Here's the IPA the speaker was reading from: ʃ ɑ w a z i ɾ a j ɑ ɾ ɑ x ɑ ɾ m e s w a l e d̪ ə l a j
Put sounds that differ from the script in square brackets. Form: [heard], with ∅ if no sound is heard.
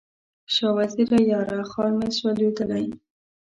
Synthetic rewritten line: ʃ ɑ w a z i ɾ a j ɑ ɾ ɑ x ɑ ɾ m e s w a l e d̪ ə l a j